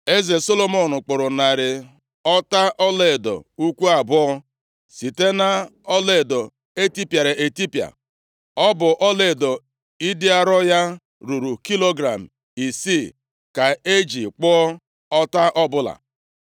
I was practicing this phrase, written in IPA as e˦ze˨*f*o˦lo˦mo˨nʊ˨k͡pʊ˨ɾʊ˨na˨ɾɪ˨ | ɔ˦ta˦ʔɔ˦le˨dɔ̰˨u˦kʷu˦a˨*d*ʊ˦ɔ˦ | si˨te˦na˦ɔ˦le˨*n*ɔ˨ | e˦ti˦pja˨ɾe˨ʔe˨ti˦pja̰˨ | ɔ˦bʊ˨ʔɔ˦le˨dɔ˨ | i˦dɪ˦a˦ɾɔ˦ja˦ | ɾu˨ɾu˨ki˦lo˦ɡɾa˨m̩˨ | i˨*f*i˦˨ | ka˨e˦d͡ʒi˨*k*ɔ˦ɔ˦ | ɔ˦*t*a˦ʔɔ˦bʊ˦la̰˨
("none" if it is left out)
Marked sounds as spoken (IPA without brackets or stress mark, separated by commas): s, b, d, s, k͡p, t